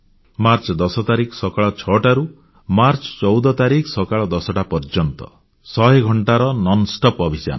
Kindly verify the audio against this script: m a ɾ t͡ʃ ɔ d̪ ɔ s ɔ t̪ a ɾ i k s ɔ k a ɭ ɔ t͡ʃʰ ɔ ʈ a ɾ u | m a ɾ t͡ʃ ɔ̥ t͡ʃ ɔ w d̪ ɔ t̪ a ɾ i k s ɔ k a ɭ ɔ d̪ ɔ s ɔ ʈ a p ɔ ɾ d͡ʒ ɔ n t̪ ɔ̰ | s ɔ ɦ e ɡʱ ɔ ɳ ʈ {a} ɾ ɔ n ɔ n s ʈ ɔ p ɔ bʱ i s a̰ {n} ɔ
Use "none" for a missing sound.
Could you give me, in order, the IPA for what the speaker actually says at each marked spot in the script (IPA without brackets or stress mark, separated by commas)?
a, n